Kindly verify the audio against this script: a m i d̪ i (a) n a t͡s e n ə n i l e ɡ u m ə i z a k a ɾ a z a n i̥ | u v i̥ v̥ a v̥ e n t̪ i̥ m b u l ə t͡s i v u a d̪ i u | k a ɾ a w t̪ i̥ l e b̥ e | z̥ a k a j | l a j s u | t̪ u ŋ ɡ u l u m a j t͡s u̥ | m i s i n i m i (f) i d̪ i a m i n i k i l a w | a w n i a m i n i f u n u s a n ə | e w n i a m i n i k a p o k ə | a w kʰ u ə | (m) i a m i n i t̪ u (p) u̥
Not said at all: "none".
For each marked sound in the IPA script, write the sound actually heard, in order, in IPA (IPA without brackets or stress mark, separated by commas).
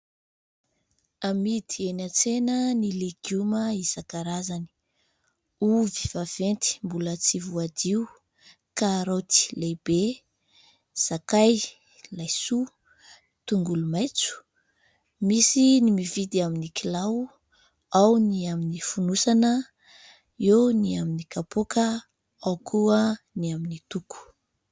e, v, n, k